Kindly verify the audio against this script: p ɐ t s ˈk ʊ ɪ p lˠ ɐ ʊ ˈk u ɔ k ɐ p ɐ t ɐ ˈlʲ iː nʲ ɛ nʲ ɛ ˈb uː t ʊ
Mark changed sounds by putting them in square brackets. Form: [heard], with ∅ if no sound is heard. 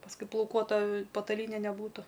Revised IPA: p ɐ [∅] s ˈk ʊ ɪ p lˠ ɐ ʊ ˈk u ɔ [t] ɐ p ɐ t ɐ ˈlʲ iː nʲ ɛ nʲ ɛ ˈb uː t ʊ